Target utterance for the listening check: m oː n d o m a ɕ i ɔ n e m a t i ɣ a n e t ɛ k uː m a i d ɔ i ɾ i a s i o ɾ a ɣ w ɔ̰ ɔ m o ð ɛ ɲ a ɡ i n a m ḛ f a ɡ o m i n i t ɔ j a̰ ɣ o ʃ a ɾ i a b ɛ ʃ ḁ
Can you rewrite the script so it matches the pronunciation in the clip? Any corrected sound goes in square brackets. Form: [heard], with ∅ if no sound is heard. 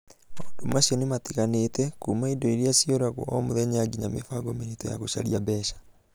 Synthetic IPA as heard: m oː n d o m a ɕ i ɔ n e m a t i ɣ a n e t ɛ k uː m a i d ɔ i ɾ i a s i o ɾ a ɣ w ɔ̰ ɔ m o ð ɛ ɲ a ɡ i [ɲ] a m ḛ f a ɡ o m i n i t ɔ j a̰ ɣ o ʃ a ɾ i a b ɛ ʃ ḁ

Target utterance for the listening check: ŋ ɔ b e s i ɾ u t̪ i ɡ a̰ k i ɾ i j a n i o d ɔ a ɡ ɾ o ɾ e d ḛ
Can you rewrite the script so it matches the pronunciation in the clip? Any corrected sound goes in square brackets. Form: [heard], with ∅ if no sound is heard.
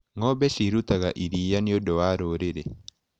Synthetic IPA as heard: ŋ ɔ b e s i ɾ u t̪ [a] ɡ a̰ [ʔ] i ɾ i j a n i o d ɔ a [∅] ɾ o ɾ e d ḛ

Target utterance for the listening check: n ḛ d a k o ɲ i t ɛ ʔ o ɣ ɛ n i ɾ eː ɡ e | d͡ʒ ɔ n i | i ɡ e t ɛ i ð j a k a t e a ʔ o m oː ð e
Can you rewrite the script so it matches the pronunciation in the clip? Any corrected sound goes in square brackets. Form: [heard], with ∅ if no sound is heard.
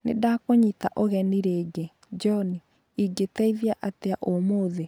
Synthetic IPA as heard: n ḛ d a k o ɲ i t [a] ʔ o ɣ ɛ n i ɾ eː ɡ e | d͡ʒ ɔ n i | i ɡ e t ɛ i ð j a [ʔ] a t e a ʔ o m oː ð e

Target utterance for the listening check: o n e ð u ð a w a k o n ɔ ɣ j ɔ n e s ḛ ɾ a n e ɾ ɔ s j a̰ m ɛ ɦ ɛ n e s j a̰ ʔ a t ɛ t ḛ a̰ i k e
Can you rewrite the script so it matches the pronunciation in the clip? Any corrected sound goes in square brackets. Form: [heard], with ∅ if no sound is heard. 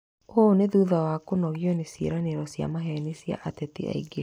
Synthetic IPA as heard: o n e ð u ð a w a k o n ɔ ɣ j ɔ n e s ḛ ɾ a n e ɾ ɔ s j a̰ m [a] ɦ ɛ n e s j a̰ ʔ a t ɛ t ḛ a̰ i [ɡ] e

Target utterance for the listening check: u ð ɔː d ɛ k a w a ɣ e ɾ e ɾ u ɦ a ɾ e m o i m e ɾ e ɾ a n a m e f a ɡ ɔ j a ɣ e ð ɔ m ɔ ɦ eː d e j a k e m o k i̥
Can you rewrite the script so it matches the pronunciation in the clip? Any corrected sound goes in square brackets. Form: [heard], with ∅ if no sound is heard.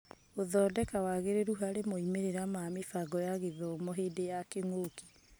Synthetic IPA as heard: [o] ð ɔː d ɛ k a w a ɣ e ɾ e ɾ u ɦ a ɾ e m o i m e ɾ e ɾ a [m] a m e f a ɡ ɔ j a ɣ e ð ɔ m ɔ ɦ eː d e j a k e [ŋ] o k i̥

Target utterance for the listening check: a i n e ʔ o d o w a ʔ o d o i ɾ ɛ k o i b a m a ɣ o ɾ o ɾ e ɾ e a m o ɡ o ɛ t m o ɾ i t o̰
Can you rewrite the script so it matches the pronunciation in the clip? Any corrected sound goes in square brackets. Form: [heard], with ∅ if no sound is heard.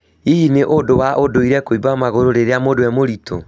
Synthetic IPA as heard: [i] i n e ʔ o d o w a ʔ o d o i ɾ ɛ k o i b a m a ɣ o ɾ o ɾ e ɾ e a m o [d] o ɛ [∅] m o ɾ i t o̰

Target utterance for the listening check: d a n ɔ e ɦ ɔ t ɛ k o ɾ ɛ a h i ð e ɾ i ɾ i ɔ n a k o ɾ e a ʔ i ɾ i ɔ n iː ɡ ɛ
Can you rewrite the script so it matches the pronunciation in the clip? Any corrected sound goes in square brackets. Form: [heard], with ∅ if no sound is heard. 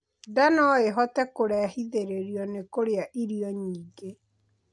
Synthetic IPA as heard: d a n ɔ e ɦ ɔ t ɛ k o ɾ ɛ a h i ð e ɾ [e] ɾ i ɔ n [e] k o ɾ e a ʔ i ɾ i ɔ [ɲ] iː ɡ [e]

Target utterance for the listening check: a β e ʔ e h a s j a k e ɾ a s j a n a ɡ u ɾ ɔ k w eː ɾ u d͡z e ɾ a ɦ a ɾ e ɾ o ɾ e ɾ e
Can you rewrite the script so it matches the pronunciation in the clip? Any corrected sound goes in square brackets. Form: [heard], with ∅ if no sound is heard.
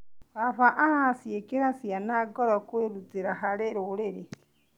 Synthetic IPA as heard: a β [a] ʔ [a] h a s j [e] k e ɾ a s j a n a ɡ [ɔ] ɾ ɔ k w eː ɾ u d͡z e ɾ a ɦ a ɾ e ɾ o ɾ e ɾ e

